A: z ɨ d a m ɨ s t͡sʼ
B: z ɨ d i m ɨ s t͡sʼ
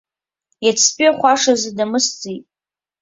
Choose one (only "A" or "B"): A